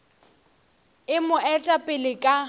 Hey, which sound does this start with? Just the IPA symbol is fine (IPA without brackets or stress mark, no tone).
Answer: ɪ